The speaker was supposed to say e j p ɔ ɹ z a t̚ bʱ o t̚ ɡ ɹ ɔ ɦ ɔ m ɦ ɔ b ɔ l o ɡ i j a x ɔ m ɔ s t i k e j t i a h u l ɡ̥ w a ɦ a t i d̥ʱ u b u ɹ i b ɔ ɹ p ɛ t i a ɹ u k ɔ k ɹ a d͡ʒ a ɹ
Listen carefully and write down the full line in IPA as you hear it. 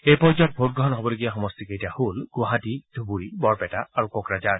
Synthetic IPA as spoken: e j p ɔ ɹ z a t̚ bʱ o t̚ ɡ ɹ ɔ ɦ ɔ n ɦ ɔ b ɔ l o ɡ i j a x ɔ m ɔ s t i k e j t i a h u l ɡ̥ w a ɦ a t i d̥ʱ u b u ɹ i b ɔ ɹ p ɛ t a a ɹ u k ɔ k ɹ a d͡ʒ a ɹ